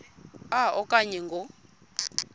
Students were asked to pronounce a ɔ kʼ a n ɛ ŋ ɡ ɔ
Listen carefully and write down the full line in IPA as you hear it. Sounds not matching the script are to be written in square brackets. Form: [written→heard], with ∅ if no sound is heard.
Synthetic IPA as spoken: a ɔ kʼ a [n→ɲ] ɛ ŋ ɡ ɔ